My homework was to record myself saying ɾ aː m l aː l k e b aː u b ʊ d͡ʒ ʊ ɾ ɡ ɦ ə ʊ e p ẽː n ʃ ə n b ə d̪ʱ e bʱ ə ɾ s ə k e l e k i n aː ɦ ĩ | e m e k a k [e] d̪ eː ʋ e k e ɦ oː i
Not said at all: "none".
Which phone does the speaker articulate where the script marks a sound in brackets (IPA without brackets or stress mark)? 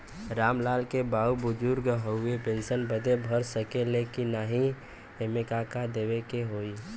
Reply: a